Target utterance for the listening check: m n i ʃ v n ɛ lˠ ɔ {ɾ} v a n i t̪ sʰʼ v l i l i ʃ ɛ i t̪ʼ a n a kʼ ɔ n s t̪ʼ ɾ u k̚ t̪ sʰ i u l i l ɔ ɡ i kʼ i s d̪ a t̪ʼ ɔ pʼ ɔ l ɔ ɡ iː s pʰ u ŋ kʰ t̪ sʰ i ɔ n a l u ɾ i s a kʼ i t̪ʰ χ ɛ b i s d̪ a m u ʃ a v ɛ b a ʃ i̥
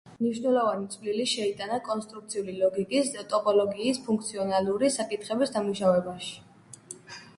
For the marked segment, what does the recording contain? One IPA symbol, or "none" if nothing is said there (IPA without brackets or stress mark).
none